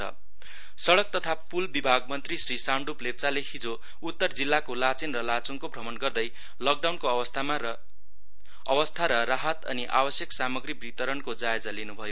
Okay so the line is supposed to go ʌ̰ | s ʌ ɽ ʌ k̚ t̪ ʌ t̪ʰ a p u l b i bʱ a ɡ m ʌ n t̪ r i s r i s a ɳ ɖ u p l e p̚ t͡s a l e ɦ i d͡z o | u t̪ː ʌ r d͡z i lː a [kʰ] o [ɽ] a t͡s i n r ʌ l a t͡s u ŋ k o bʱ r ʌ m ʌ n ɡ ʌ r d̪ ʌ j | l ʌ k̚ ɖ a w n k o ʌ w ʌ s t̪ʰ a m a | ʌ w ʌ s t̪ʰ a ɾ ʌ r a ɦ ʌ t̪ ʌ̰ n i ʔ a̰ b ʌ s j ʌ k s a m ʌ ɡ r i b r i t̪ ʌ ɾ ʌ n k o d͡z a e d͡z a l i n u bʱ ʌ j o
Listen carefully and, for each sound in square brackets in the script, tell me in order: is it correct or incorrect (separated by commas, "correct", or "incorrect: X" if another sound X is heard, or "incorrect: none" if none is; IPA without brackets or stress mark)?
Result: incorrect: k, incorrect: l